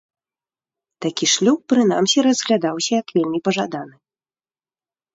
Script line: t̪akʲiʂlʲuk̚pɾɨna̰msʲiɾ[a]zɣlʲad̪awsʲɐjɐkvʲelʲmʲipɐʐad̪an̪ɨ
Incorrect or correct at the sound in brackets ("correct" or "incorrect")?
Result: incorrect